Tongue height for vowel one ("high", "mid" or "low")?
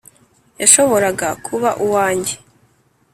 low